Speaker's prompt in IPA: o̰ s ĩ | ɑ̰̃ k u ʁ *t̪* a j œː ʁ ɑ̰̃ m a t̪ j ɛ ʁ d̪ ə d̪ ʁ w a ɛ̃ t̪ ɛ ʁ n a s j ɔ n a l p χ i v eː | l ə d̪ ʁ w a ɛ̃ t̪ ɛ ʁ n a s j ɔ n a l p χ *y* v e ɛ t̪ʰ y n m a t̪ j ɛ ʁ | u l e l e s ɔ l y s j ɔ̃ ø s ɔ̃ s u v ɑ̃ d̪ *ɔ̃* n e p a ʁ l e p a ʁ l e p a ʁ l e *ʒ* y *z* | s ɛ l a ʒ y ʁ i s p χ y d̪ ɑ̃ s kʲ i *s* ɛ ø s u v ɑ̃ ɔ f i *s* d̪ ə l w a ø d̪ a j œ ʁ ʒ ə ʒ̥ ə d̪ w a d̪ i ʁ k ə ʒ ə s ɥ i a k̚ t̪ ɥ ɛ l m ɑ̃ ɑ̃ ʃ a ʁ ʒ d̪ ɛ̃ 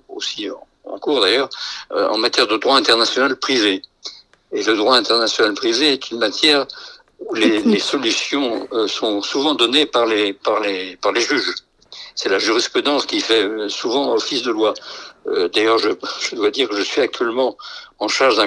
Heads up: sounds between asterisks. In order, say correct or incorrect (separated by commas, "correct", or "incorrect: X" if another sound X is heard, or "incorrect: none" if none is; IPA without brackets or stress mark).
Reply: incorrect: d̪, incorrect: i, incorrect: ɔ, correct, incorrect: ʒ, incorrect: f, correct